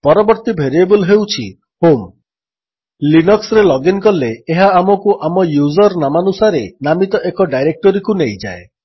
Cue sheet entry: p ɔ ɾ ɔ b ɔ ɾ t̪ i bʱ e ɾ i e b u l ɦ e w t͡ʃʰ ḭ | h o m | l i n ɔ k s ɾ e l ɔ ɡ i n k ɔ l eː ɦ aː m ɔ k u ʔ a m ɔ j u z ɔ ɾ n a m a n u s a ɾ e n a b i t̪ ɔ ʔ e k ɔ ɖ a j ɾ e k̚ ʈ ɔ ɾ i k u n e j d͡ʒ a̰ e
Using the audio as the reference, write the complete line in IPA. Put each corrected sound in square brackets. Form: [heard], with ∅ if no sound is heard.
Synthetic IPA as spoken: p ɔ ɾ ɔ b ɔ ɾ t̪ i bʱ e ɾ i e b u l ɦ e w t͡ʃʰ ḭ | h o m | l i n ɔ k s ɾ e l ɔ ɡ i n k ɔ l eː ɦ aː m ɔ k u ʔ a m ɔ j u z ɔ ɾ n a m a n u s a ɾ e n a [m] i t̪ ɔ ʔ e k ɔ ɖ a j ɾ e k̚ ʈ ɔ ɾ i k u n e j d͡ʒ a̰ e